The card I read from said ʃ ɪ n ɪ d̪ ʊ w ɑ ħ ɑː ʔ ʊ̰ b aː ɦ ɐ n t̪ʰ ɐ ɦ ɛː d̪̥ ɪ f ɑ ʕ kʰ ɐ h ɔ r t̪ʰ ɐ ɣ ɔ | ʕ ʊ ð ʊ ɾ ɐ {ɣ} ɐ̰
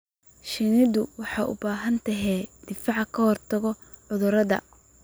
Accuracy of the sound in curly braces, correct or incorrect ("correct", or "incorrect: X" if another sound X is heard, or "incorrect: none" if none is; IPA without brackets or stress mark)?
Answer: incorrect: ð